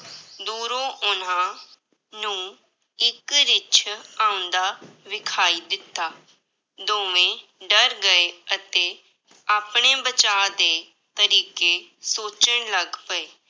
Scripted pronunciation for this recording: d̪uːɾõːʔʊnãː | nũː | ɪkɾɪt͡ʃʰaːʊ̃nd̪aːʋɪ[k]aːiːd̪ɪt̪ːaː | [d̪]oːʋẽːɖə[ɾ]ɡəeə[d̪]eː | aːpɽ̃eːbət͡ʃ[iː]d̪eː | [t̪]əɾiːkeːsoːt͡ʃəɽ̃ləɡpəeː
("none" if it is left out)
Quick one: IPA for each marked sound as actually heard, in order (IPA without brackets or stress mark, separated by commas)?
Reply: kʰ, d̪, ɾ, t̪, aː, t̪